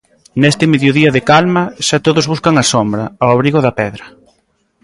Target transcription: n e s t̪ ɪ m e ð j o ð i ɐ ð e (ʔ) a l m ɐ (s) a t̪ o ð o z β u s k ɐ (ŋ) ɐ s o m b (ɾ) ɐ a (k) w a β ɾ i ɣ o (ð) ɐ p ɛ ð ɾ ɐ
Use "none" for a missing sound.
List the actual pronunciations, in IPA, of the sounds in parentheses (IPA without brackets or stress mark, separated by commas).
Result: k, ʃ, ŋ, ɾ, none, ð